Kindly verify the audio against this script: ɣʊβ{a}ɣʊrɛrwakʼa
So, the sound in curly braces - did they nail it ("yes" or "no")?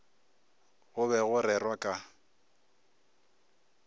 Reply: no